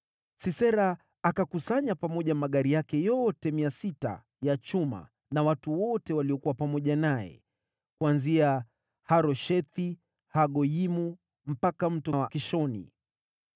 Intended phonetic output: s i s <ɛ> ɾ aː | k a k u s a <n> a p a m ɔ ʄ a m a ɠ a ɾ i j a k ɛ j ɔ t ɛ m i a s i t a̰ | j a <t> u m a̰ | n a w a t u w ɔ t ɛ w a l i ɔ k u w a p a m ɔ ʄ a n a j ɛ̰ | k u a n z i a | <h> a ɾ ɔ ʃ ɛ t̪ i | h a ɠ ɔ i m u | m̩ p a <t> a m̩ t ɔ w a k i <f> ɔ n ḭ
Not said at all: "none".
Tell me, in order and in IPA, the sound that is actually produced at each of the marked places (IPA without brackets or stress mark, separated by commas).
ɛ, ɲ, t͡ʃ, h, k, ʃ